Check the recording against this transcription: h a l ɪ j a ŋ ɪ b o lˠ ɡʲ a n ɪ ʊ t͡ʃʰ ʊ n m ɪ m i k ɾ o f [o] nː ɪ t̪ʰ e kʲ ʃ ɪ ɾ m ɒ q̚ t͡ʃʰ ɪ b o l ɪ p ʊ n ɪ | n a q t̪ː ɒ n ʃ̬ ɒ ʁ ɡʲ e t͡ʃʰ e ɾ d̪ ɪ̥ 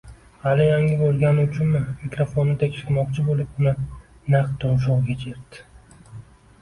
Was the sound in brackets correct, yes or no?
yes